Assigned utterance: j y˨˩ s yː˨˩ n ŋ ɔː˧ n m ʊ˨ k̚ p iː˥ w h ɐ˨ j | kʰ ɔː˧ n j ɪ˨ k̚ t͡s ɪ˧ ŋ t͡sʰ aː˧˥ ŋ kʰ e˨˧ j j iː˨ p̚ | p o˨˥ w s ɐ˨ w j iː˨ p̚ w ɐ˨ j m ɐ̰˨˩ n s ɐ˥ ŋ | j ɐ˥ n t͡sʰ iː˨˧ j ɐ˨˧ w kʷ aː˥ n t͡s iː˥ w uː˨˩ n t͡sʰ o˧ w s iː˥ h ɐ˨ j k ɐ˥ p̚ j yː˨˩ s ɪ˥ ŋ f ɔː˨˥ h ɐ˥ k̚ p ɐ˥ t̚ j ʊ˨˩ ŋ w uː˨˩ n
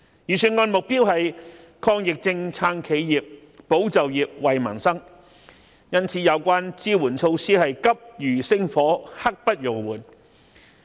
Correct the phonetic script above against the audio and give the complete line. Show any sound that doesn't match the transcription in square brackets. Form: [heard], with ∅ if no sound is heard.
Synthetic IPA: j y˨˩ s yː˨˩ n ŋ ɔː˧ n m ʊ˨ k̚ p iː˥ w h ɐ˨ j | kʰ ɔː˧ [ŋ] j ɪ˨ k̚ t͡s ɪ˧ ŋ t͡sʰ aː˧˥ ŋ kʰ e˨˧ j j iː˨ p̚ | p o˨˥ w [t͡s] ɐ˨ w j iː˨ p̚ w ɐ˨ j m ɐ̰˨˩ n s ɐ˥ ŋ | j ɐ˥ n t͡sʰ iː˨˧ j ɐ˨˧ w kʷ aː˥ n t͡s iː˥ w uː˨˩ n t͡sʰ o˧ w s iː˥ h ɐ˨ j k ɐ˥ p̚ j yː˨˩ s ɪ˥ ŋ f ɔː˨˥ h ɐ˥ k̚ p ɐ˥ t̚ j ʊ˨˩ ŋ w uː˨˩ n